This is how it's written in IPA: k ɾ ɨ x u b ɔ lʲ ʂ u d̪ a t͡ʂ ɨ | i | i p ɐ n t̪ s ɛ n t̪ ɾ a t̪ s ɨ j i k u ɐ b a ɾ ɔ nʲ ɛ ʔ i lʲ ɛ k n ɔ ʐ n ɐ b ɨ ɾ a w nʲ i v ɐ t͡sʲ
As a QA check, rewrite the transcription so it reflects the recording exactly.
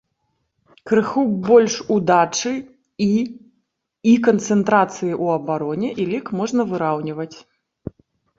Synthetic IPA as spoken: k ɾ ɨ x u b ɔ lʲ ʂ u d̪ a t͡ʂ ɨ | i | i k ɐ n t̪ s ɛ n t̪ ɾ a t̪ s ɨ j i ʔ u ɐ b a ɾ ɔ nʲ ɛ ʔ i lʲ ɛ k m ɔ ʐ n ɐ v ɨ ɾ a w nʲ i v ɐ t͡sʲ

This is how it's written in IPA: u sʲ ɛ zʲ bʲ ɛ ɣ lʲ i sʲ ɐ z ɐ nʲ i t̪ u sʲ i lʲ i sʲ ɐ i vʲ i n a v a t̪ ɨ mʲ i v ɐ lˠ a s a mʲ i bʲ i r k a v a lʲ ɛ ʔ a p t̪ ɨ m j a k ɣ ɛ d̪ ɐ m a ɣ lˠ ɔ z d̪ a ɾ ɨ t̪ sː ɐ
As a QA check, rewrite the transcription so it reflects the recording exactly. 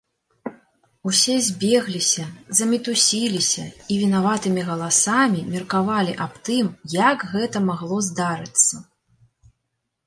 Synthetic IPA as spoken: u sʲ ɛ zʲ bʲ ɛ ɣ lʲ i sʲ ɐ z ɐ mʲ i t̪ u sʲ i lʲ i sʲ ɐ i vʲ i n a v a t̪ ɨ mʲ i ɣ ɐ lˠ a s a mʲ i mʲ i r k a v a lʲ i ʔ a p t̪ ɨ m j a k ɣ ɛ t̪ ɐ m a ɣ lˠ ɔ z d̪ a ɾ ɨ t̪ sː ɐ

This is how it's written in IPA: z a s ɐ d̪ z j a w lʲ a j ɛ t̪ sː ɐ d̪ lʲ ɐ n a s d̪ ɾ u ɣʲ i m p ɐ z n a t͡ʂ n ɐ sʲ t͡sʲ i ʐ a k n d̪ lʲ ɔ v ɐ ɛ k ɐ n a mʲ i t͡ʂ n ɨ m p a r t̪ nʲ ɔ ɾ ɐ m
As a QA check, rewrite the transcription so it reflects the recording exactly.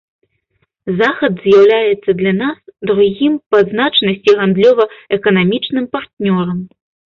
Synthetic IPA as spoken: z a x ɐ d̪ z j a w lʲ a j ɛ t̪ sː ɐ d̪ lʲ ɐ n a s d̪ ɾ u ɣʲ i m p ɐ z n a t͡ʂ n ɐ sʲ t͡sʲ i ɣ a n d̪ lʲ ɔ v ɐ ɛ k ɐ n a mʲ i t͡ʂ n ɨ m p a r t̪ nʲ ɔ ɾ ɐ m

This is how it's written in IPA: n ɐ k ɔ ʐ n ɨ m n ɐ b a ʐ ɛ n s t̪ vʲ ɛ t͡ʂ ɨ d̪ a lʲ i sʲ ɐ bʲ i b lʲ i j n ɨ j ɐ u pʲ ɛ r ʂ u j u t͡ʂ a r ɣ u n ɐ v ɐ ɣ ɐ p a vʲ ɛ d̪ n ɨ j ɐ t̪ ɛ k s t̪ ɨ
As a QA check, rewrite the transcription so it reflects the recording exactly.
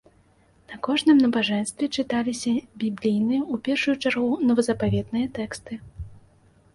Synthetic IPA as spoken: n ɐ k ɔ ʐ n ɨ m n ɐ b a ʐ ɛ n s t̪ vʲ ɛ t͡ʂ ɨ t̪ a lʲ i sʲ ɐ bʲ i b lʲ i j n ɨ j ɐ u pʲ ɛ r ʂ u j u t͡ʂ a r ɣ u n ɐ v ɐ z ɐ p a vʲ ɛ d̪ n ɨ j ɐ t̪ ɛ k s t̪ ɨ

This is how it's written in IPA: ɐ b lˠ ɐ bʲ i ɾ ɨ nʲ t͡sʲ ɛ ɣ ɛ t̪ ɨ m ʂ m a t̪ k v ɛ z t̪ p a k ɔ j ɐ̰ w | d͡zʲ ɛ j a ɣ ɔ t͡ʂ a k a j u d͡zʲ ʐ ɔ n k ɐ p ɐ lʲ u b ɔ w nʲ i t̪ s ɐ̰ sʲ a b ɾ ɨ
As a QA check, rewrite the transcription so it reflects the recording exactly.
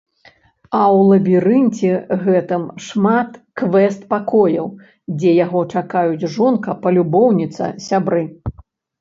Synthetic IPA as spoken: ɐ w lˠ ɐ bʲ i ɾ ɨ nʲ t͡sʲ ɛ ɣ ɛ t̪ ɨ m ʂ m a t̪ k v ɛ s t̪ p a k ɔ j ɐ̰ w | d͡zʲ ɛ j a ɣ ɔ t͡ʂ a k a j u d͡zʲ ʐ ɔ n k ɐ p ɐ lʲ u b ɔ w nʲ i t̪ s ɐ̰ sʲ a b ɾ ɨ

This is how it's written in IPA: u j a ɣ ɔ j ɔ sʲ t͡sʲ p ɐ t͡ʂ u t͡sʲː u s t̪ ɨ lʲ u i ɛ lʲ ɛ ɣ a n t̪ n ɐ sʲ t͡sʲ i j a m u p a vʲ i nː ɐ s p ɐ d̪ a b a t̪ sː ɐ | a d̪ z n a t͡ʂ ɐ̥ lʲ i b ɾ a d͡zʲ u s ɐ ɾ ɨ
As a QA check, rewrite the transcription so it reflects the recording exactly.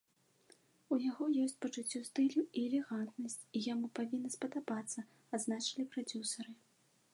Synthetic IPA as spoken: u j a ɣ ɔ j ɔ sʲ t͡sʲ p ɐ t͡ʂ u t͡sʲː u s t̪ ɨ lʲ u i ɛ lʲ ɛ ɣ a n t̪ n ɐ sʲ t͡sʲ i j a m u p a vʲ i nː ɐ s p ɐ d̪ a b a t̪ sː ɐ | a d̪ z n a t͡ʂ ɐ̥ lʲ i p ɾ a d͡zʲ u s ɐ ɾ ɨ

